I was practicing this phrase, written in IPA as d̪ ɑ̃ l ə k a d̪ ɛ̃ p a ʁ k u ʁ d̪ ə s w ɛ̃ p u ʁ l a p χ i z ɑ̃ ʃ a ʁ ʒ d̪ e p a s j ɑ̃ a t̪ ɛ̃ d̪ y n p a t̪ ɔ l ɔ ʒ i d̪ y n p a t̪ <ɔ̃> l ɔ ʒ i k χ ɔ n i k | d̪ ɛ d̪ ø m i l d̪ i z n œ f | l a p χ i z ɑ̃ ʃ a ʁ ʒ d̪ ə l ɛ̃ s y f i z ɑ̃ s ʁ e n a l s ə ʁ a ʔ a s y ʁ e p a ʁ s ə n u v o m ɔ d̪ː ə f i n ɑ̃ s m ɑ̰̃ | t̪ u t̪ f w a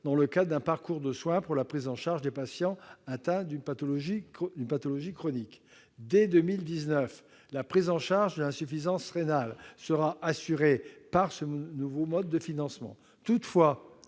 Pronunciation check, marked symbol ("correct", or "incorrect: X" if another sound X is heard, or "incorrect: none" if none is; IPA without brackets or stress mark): incorrect: ɔ